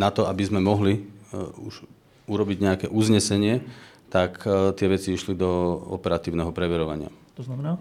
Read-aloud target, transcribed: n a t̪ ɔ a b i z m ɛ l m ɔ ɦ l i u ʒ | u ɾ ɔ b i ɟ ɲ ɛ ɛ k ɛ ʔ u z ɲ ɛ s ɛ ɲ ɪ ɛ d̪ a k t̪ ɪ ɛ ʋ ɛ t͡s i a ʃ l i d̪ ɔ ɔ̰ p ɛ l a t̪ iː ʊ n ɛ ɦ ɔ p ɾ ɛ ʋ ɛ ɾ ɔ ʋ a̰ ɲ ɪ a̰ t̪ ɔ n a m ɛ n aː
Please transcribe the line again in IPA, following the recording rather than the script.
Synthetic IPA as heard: n a t̪ ɔ a b i z m ɛ m ɔ ɦ l i u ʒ | u ɾ ɔ b i ɟ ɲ ɛ a k ɛ ʔ u z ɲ ɛ s ɛ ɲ ɪ ɛ t̪ a k t̪ ɪ ɛ ʋ ɛ t͡s i i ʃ l i d̪ ɔ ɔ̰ p ɛ ɾ a t̪ iː ʊ n ɛ ɦ ɔ p ɾ ɛ ʋ ɛ ɾ ɔ ʋ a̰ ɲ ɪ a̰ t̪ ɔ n a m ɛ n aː